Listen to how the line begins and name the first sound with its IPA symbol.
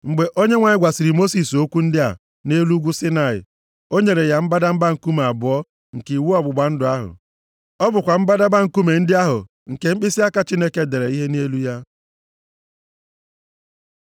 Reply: ŋ͡m̩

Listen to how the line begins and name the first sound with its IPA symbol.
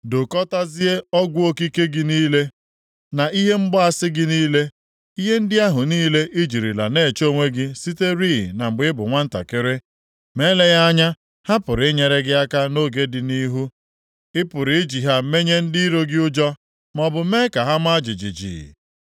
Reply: d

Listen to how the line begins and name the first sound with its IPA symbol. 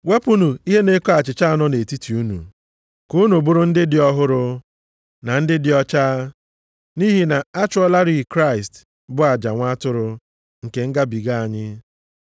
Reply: w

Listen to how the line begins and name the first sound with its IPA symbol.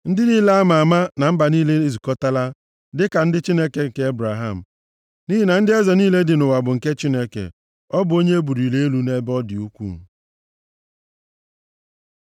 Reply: n̩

